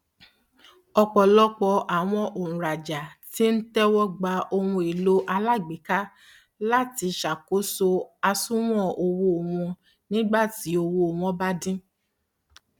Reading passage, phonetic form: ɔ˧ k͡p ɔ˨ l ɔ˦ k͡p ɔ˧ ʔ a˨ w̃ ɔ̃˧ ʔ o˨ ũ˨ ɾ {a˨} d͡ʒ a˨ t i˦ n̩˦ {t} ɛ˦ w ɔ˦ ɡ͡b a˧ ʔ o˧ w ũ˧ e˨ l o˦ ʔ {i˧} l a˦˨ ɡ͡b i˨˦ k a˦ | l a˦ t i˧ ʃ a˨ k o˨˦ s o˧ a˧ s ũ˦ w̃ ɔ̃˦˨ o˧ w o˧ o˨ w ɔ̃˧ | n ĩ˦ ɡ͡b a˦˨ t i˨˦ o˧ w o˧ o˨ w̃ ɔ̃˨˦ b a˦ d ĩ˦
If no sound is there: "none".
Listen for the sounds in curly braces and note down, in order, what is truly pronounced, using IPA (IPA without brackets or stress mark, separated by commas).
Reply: a˨, t, a˧